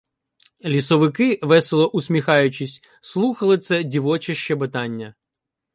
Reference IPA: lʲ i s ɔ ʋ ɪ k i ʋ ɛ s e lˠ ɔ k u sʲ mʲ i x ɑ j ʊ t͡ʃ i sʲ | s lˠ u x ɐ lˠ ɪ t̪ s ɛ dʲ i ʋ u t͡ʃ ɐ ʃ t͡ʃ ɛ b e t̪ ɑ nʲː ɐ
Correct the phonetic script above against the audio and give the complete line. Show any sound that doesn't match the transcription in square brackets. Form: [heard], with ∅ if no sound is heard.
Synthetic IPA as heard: lʲ i s ɔ ʋ ɪ k [ɪ] ʋ ɛ s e lˠ ɔ [ʔ] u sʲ mʲ i x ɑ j ʊ t͡ʃ i sʲ | s lˠ u x ɐ lˠ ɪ t̪ s ɛ dʲ i ʋ [ɔ] t͡ʃ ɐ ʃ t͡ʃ ɛ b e t̪ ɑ nʲː ɐ